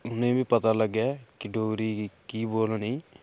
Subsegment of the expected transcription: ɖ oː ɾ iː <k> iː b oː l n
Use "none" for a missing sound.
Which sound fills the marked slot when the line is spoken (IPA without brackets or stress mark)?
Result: k